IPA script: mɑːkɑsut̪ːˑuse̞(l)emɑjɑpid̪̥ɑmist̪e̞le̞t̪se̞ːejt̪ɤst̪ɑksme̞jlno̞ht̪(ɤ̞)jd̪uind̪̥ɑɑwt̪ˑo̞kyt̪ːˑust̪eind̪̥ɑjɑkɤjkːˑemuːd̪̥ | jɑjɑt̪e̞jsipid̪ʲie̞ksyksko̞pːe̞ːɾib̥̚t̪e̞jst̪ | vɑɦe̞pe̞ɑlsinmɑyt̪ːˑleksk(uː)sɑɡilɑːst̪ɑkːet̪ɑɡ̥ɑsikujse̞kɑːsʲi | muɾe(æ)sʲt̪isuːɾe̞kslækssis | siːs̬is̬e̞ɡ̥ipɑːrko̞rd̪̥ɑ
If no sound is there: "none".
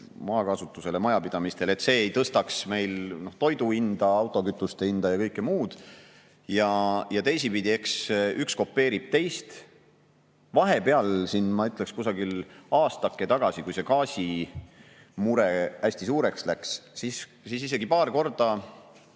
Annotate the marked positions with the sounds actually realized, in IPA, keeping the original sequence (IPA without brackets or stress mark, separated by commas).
l, o̞, u, æ